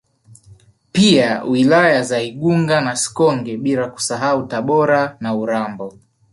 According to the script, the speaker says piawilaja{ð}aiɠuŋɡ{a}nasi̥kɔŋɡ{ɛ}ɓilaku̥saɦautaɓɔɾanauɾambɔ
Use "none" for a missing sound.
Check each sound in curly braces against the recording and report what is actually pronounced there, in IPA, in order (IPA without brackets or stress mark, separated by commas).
z, a, ɛ